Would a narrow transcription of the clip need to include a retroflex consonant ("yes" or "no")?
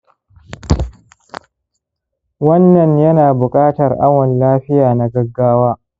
no